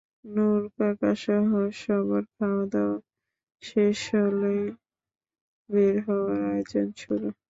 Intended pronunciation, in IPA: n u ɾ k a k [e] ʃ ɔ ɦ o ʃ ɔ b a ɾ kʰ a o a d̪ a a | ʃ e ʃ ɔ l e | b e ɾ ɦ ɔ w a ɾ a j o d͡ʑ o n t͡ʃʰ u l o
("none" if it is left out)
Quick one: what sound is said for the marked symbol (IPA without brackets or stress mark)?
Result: a